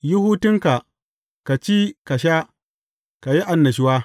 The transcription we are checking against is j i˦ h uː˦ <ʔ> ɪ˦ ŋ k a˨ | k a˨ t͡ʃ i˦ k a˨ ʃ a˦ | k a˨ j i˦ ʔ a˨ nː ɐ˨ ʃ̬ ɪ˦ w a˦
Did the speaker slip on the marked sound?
yes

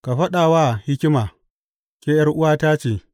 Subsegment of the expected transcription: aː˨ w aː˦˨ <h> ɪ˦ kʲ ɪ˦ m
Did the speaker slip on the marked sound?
no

